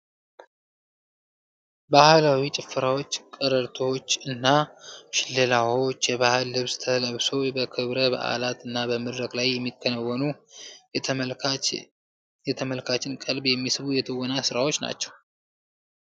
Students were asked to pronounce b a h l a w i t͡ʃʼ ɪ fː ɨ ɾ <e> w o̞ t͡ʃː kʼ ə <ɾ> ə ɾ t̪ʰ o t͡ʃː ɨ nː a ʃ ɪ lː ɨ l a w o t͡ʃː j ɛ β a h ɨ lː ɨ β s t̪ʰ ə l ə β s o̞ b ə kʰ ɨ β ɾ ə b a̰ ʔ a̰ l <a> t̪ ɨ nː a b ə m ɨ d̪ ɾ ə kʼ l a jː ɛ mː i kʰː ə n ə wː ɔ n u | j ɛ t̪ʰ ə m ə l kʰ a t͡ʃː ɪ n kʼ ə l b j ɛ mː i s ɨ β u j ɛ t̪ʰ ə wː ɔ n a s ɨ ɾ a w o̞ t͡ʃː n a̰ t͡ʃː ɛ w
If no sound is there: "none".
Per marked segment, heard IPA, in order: a, ɾ, a

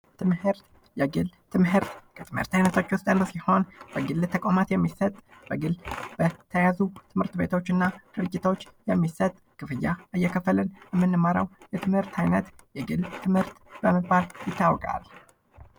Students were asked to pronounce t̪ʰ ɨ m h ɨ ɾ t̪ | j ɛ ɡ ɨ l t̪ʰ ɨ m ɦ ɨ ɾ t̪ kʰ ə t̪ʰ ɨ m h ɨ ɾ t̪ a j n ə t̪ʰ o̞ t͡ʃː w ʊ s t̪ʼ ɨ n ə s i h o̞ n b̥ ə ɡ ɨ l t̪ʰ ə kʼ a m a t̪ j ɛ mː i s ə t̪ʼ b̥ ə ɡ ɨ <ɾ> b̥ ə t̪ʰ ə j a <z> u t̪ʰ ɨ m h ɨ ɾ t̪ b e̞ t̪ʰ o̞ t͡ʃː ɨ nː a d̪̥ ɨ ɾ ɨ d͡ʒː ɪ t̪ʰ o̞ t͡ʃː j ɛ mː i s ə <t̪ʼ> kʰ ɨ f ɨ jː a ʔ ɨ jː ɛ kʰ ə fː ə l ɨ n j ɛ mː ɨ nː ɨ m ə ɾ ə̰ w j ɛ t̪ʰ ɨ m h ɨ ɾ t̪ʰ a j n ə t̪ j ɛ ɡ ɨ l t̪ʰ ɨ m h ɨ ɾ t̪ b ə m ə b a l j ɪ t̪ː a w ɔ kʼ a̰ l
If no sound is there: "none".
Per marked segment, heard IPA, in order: l, z, t̪ʼ

